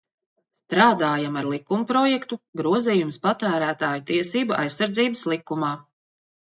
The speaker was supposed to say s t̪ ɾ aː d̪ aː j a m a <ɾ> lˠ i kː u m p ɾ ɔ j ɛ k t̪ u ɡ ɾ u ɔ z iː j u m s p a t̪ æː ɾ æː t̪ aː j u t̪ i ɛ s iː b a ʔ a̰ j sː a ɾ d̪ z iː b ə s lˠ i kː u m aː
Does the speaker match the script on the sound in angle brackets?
yes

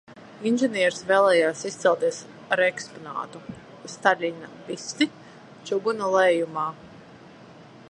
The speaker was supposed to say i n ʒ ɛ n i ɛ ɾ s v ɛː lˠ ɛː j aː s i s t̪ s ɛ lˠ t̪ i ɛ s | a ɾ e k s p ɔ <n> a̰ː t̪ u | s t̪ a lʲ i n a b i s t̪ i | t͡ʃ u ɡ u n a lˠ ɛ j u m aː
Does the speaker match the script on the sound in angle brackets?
yes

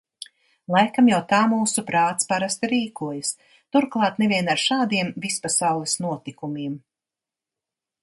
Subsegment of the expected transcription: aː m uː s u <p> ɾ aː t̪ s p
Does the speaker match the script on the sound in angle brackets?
yes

